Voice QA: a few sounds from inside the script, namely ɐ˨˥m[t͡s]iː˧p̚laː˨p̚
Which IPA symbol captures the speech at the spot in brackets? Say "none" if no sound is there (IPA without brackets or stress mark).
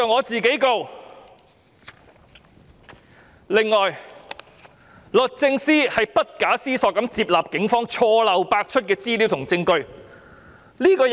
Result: t͡s